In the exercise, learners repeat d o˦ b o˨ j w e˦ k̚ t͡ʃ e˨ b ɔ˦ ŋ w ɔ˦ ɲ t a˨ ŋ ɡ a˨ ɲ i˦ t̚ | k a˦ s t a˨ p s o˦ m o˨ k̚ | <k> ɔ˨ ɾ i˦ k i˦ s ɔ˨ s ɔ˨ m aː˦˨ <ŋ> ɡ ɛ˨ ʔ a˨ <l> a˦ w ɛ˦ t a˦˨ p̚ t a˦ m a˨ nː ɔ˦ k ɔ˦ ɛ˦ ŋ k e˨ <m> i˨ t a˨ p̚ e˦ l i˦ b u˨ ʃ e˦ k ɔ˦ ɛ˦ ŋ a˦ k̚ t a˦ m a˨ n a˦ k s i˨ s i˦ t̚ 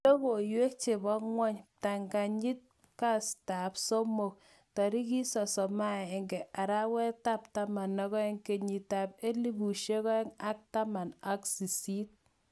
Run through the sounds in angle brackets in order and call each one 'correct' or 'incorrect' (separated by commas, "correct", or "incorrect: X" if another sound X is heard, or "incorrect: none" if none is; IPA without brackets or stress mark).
incorrect: t, correct, incorrect: ɾ, incorrect: ɲ